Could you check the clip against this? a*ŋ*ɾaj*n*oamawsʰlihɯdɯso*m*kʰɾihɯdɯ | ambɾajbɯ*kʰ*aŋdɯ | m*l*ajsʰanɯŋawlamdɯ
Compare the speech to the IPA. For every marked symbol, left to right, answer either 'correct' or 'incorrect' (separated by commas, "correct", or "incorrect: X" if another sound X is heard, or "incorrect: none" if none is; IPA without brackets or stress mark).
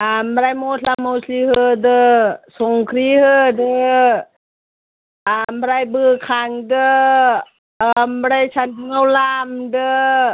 incorrect: m, incorrect: m, incorrect: ŋ, correct, incorrect: ɾ